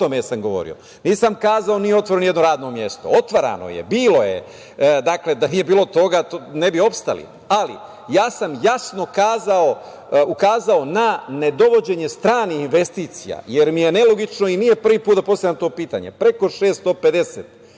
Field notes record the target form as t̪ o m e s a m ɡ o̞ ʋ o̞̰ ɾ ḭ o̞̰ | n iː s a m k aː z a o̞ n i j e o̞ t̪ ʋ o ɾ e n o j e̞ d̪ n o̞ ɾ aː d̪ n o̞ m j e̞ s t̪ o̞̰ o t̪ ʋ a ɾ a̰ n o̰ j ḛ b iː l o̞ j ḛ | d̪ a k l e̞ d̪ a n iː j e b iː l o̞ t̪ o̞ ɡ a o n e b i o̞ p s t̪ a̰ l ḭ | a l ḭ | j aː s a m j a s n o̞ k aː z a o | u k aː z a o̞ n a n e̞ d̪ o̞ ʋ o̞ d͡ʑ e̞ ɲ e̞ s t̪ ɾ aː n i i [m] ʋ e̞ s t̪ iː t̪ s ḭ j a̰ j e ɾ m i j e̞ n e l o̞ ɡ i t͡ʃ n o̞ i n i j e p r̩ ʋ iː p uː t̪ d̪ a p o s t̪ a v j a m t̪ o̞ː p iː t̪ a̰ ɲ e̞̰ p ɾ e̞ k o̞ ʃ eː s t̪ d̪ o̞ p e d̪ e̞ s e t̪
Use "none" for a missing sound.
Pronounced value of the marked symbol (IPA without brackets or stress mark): n